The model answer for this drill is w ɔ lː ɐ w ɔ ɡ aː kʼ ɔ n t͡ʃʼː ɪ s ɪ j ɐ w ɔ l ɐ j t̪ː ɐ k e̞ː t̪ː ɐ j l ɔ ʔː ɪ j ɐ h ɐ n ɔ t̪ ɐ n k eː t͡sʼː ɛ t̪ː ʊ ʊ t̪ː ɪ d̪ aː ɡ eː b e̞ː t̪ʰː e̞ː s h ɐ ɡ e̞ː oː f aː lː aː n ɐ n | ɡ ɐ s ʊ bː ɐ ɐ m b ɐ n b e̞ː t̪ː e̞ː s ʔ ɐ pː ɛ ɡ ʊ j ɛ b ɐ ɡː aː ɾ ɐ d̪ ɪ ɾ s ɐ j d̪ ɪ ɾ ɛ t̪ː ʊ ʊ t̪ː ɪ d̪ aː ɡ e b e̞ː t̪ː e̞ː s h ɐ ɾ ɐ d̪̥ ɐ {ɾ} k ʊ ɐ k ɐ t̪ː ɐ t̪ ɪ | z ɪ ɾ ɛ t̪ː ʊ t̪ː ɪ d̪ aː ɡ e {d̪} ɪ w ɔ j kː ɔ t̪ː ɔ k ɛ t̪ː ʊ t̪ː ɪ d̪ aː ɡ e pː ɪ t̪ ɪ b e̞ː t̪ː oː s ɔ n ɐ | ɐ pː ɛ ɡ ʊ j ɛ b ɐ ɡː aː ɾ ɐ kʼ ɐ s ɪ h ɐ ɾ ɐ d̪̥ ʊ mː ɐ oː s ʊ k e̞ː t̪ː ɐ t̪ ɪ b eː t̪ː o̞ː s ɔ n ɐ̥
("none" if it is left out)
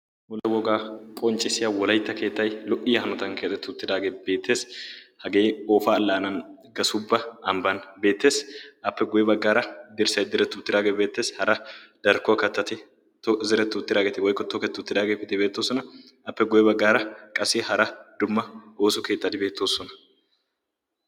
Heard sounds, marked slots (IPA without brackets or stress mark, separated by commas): ɾ, t̪